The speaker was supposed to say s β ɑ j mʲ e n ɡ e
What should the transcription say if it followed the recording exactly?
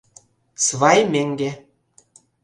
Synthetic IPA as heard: s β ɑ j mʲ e ŋ ɡ e